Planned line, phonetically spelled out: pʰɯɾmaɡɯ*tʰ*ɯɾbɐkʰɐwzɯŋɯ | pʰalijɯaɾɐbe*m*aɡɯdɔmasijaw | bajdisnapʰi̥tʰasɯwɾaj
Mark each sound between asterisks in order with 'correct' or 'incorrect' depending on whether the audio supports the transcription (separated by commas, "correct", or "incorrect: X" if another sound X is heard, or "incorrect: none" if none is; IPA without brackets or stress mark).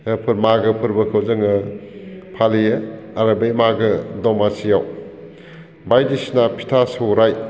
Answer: incorrect: pʰ, correct